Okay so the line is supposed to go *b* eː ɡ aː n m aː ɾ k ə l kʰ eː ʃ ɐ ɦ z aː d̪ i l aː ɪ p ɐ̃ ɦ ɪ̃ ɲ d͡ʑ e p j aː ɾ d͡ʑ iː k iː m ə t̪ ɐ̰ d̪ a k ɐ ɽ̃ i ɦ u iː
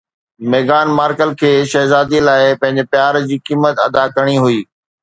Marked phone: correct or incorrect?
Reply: incorrect